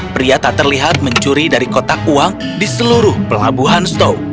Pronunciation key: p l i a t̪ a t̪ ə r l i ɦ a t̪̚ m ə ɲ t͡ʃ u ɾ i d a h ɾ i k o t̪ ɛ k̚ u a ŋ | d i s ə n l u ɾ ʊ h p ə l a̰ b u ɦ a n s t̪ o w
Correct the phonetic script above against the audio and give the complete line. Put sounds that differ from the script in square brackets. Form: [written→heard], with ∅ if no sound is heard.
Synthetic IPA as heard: p [l→ɾ] i a t̪ a t̪ ə r l i ɦ a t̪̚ m ə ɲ t͡ʃ u ɾ i d a [h→∅] ɾ i k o t̪ [ɛ→a] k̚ u a ŋ | d i s ə [n→∅] l u ɾ ʊ h p ə l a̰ b u ɦ a n s t̪ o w